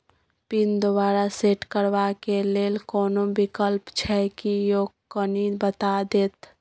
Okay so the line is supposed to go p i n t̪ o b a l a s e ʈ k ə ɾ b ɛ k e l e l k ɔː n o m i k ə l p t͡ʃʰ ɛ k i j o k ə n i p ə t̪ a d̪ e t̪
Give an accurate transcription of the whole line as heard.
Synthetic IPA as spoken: p i n d̪ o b a ɾ a s e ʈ k ə ɾ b a k e l e l k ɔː n o b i k ə l p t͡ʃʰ ɛ k i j o k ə n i b ə t̪ a d̪ e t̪